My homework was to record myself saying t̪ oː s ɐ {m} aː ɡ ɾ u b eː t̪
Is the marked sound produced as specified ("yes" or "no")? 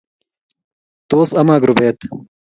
yes